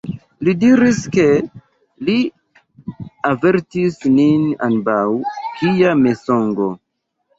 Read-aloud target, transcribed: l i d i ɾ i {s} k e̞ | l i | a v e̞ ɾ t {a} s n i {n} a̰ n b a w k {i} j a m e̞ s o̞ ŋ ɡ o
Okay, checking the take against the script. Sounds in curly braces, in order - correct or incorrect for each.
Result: correct, incorrect, correct, correct

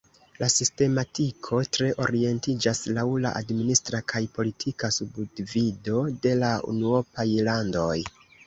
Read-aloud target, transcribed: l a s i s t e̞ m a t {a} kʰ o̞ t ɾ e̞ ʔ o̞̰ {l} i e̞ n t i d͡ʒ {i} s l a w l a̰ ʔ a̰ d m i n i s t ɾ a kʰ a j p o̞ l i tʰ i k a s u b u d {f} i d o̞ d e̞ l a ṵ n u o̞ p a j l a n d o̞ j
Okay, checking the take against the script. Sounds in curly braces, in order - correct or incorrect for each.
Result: incorrect, incorrect, incorrect, incorrect

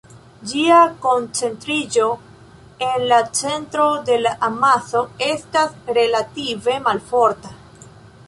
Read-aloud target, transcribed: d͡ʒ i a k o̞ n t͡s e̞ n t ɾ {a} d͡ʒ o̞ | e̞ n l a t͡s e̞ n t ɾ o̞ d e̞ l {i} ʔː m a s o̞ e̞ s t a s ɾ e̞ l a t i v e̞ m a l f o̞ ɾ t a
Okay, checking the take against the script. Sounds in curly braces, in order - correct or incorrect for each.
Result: incorrect, incorrect

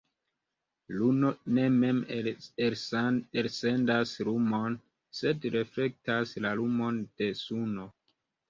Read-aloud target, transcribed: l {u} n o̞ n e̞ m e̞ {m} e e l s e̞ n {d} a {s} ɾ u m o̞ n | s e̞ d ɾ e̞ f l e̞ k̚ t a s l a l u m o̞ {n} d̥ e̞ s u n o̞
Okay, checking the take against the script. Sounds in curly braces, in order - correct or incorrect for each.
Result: correct, correct, correct, correct, correct

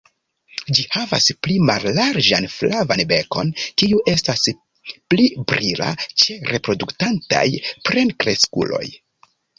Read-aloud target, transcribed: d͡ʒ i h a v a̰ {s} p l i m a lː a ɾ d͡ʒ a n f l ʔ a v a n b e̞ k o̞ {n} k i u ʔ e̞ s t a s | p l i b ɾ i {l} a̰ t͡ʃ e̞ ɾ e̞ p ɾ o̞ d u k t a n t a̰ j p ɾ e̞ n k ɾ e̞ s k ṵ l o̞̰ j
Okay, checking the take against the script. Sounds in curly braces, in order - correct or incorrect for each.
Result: correct, correct, correct

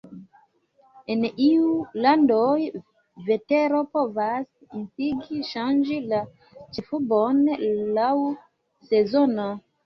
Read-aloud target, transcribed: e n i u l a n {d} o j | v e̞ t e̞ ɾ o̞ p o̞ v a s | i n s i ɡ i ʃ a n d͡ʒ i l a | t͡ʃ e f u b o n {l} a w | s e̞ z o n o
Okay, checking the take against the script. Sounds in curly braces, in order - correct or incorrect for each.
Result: correct, correct

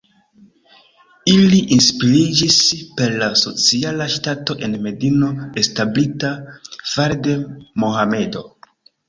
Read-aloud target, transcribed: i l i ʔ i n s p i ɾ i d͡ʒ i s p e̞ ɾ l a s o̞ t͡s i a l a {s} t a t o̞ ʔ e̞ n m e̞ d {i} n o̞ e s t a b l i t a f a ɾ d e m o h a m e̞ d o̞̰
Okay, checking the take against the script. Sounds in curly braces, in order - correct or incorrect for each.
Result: incorrect, correct

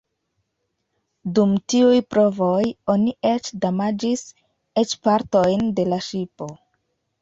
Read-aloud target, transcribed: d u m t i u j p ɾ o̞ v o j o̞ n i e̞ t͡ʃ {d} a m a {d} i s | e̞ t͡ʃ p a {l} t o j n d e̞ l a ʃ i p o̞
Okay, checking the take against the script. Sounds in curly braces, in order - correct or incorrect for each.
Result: correct, incorrect, incorrect

